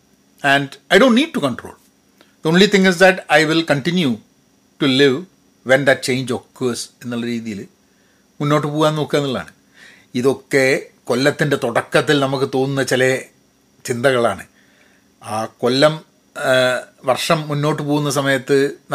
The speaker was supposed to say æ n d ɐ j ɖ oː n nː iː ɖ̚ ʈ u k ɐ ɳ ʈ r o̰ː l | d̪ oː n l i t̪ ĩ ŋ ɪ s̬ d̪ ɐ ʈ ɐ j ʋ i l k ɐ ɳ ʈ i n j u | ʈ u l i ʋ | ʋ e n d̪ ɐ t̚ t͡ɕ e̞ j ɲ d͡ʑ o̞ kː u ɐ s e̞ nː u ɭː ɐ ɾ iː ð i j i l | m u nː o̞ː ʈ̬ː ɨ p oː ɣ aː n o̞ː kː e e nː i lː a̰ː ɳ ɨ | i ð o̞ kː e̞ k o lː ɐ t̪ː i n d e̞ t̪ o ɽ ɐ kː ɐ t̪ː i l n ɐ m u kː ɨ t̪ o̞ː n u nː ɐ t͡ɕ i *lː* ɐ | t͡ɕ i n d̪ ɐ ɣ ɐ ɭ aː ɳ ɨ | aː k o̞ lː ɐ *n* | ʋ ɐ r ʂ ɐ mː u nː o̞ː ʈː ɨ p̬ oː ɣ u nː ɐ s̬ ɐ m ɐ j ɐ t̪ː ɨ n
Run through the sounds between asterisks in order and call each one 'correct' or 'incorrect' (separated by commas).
incorrect, incorrect